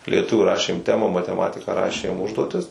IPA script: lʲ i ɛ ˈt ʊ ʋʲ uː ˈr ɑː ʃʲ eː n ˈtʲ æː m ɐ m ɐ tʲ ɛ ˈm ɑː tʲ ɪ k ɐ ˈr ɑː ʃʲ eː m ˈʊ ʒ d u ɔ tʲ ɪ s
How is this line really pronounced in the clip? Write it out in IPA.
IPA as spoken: lʲ i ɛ ˈt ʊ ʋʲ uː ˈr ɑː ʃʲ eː m ˈtʲ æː m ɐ m ɐ tʲ ɛ ˈm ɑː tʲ ɪ k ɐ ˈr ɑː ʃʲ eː m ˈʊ ʒ d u ɔ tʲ ɪ s